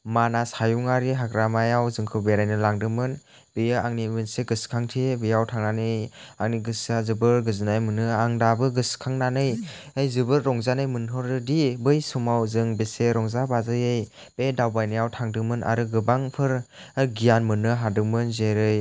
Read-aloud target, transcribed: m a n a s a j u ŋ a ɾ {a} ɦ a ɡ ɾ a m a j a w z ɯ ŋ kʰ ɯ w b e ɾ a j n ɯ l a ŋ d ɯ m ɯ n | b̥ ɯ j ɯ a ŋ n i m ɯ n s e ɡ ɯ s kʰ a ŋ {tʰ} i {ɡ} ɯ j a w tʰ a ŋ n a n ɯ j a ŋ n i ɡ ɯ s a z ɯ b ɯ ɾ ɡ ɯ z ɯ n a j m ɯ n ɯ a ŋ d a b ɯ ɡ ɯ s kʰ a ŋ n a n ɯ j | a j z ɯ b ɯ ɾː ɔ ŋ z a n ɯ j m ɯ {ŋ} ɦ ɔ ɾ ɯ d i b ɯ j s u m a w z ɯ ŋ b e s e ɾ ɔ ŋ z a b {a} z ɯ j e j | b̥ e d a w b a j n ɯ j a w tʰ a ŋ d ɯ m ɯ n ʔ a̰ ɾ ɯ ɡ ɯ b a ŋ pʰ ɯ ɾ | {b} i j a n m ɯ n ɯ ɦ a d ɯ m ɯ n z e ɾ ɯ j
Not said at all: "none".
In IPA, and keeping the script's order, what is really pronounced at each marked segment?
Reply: i, tʰ, b, n, a, ɡ

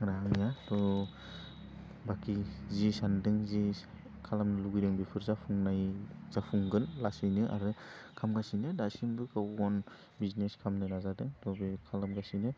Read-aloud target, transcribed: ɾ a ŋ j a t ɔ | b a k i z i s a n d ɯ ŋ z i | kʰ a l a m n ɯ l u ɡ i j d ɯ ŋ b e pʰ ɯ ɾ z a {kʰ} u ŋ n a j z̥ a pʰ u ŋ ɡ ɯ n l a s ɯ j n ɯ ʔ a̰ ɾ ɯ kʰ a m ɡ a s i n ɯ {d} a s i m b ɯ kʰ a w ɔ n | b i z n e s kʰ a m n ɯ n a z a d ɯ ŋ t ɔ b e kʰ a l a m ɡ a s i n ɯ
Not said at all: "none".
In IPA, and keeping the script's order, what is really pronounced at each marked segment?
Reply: pʰ, d

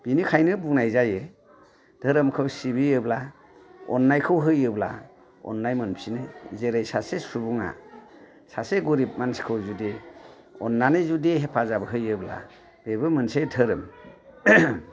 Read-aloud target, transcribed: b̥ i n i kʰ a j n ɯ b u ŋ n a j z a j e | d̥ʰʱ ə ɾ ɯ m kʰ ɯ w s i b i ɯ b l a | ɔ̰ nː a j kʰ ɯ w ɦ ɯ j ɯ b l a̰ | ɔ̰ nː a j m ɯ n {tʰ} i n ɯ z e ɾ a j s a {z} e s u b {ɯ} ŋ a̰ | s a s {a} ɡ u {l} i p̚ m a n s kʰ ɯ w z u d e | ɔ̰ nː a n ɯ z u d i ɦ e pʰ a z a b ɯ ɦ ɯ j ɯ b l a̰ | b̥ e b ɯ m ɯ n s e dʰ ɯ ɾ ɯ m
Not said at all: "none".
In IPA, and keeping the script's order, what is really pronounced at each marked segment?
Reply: pʰ, s, u, e, ɾ

